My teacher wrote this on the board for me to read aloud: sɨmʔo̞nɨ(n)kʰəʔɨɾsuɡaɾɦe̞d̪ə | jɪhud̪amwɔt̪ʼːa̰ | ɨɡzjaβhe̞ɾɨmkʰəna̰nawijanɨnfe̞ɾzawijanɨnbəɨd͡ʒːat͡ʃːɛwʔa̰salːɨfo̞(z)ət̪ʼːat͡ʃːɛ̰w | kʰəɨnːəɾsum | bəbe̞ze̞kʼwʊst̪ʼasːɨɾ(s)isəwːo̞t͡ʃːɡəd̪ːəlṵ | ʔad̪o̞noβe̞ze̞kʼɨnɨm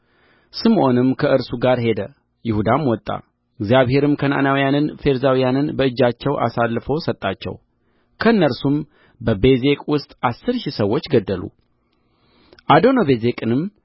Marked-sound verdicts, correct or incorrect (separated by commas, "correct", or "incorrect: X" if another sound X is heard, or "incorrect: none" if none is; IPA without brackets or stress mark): incorrect: m, incorrect: s, incorrect: ʃ